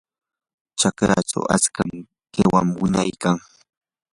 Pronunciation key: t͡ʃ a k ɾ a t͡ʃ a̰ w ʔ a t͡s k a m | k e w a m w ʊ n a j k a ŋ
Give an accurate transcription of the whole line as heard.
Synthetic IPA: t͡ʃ a k ɾ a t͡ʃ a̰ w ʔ a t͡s k a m | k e w a m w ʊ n a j k a ŋ